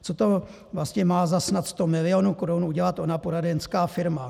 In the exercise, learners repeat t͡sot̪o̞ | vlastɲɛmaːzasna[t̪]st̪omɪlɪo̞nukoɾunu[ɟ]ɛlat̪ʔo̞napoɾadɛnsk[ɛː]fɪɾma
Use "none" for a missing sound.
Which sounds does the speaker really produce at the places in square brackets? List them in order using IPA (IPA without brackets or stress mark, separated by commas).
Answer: t̪, ɟ, aː